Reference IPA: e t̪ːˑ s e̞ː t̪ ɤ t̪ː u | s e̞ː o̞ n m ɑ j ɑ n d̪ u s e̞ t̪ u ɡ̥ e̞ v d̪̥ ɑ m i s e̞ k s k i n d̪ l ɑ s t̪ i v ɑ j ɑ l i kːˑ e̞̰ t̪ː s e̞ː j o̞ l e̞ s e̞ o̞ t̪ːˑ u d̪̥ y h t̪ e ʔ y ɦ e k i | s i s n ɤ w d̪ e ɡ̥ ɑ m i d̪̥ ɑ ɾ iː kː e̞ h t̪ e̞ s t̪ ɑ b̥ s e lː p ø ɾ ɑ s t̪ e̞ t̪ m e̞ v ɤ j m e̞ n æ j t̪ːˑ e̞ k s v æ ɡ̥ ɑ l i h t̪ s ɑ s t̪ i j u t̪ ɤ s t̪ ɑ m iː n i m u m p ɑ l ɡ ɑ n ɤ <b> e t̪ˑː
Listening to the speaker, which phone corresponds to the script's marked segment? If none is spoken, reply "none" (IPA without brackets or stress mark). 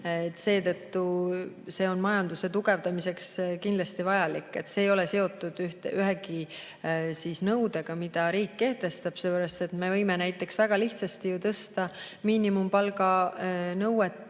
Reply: w